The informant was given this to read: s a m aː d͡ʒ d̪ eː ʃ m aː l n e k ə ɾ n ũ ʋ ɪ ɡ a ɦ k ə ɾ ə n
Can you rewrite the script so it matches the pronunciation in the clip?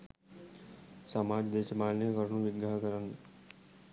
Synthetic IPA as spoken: s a m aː d͡ʒ d̪ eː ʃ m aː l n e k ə ɾ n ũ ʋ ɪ ɡ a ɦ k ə ɾ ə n